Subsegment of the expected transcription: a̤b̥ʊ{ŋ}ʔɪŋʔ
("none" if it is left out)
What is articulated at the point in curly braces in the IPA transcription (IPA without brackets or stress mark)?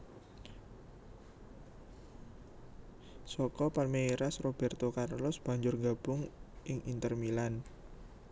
ŋ